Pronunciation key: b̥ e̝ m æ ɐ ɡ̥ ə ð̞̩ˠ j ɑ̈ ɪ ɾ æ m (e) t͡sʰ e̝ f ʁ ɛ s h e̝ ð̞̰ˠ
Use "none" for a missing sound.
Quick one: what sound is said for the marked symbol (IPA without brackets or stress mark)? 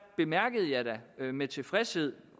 e